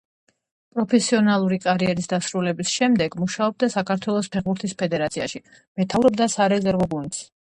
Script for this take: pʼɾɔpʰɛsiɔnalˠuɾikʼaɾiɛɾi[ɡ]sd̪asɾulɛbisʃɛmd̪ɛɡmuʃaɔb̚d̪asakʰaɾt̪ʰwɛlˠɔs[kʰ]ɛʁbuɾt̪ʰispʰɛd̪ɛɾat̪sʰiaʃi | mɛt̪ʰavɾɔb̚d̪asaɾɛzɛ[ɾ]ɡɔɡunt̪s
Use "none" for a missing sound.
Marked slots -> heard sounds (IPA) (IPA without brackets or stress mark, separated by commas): none, pʰ, ɾ